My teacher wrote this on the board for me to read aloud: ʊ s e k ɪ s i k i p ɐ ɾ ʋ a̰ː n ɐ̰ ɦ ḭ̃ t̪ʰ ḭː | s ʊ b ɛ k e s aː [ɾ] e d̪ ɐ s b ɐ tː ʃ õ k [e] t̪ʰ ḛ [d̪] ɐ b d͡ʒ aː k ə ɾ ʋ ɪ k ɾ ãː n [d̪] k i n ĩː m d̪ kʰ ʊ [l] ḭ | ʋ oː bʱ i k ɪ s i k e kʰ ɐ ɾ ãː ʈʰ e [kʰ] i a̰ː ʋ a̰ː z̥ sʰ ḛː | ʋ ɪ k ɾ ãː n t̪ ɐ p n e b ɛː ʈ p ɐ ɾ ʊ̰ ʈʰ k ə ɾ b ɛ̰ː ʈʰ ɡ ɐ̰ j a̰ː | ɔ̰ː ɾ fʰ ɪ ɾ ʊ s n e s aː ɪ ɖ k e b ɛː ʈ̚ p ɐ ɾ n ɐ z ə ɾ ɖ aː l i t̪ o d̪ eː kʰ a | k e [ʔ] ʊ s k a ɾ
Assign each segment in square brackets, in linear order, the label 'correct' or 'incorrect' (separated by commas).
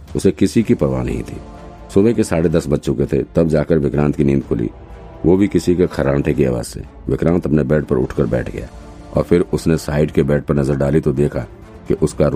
incorrect, correct, incorrect, incorrect, correct, incorrect, correct